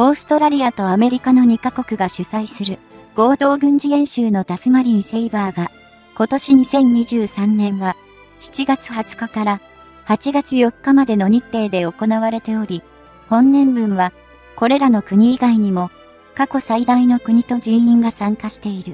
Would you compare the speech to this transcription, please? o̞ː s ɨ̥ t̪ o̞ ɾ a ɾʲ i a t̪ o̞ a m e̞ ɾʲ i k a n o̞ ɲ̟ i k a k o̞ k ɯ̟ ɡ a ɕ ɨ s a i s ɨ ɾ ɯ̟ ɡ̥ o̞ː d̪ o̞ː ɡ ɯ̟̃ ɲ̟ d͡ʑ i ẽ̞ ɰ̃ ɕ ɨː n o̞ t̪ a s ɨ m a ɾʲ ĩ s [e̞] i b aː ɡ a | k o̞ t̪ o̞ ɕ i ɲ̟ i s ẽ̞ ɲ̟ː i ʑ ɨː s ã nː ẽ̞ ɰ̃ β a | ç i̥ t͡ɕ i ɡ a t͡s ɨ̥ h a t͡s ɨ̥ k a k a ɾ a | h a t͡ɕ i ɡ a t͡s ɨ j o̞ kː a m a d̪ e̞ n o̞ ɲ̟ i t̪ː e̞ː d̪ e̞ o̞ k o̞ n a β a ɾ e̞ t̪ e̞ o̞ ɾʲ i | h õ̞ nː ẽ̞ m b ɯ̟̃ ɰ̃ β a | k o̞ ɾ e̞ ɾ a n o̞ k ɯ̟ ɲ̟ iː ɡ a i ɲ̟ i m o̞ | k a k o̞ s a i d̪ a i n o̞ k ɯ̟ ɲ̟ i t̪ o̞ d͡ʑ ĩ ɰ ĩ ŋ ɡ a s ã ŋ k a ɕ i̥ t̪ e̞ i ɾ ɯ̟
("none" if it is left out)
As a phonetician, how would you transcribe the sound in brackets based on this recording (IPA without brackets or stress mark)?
e̞